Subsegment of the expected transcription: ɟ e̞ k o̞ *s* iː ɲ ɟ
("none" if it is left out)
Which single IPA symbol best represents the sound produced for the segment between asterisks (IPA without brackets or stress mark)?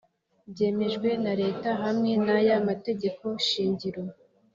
ʃ